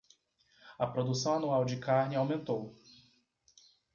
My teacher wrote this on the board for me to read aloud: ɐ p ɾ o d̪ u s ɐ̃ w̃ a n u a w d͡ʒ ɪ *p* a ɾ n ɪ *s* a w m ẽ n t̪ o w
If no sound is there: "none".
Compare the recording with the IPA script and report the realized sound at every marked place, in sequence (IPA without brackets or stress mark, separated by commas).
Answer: k, none